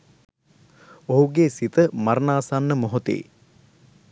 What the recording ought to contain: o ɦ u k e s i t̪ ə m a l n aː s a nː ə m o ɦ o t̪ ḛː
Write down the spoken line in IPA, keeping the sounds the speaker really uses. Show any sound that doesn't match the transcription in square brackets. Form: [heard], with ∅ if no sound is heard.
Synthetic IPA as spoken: o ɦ u [ɡ] e s i t̪ ə m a [ɾ] n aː s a nː ə m o ɦ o t̪ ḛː